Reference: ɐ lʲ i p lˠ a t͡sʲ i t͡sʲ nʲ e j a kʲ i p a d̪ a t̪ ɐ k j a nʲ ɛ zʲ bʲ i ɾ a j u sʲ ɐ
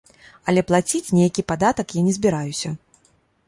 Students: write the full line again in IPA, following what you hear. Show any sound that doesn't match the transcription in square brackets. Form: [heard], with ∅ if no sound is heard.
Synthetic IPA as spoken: ɐ lʲ [ɛ] p lˠ a t͡sʲ i t͡sʲ nʲ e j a kʲ i p a d̪ a t̪ ɐ k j a nʲ ɛ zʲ bʲ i ɾ a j u sʲ ɐ